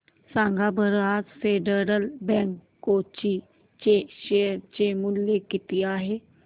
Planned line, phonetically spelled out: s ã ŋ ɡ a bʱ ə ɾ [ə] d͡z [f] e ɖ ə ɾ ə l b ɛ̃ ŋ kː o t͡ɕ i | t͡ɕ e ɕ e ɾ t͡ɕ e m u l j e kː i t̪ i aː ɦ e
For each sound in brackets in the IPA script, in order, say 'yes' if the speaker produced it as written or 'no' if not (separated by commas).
no, yes